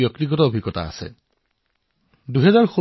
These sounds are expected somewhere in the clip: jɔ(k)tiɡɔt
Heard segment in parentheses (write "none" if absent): k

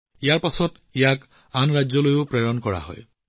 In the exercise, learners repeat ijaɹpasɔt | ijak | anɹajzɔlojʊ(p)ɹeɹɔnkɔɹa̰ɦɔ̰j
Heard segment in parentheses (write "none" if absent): p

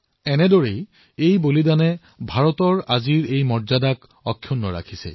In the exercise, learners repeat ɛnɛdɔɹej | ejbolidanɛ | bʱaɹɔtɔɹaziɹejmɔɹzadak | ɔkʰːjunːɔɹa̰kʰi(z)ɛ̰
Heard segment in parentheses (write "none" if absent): s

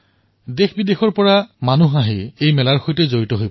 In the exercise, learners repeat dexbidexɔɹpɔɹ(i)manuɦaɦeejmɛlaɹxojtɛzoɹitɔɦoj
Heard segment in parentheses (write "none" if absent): a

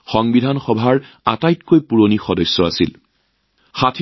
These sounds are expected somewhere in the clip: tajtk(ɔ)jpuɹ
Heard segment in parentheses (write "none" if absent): o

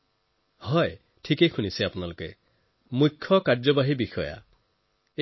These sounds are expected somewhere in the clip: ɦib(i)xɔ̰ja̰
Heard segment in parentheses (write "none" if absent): i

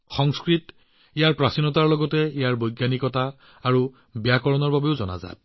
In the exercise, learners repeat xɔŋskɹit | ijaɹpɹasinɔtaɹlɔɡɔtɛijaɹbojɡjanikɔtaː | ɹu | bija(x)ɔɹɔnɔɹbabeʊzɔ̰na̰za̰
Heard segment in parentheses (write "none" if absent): k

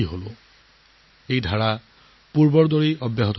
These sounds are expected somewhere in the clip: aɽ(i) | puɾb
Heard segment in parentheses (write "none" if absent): a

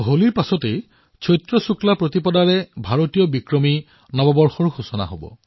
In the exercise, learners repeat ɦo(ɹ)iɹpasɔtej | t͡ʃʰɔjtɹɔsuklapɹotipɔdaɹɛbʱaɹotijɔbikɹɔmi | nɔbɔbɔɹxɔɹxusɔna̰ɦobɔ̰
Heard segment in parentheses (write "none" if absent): l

